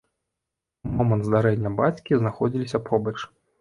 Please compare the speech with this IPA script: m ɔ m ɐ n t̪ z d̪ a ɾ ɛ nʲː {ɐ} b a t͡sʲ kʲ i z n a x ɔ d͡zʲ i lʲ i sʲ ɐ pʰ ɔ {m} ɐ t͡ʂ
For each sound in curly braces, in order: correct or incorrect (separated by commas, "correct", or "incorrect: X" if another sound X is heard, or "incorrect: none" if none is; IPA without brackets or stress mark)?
correct, incorrect: b